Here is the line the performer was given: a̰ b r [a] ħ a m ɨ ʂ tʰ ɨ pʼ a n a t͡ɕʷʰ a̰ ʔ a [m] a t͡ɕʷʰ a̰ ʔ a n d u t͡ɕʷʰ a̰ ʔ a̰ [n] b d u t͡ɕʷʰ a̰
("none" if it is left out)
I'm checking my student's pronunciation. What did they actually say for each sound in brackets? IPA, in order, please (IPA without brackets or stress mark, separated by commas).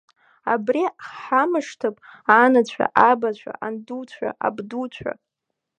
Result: i, b, none